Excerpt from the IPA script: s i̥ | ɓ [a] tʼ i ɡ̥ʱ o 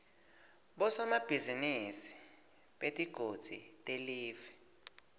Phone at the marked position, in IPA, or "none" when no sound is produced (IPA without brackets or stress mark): e